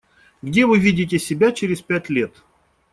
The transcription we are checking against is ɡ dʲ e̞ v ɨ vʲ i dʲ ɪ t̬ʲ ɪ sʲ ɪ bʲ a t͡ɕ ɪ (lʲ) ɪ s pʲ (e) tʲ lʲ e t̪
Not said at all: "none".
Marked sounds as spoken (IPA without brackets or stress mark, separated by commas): ɾʲ, æ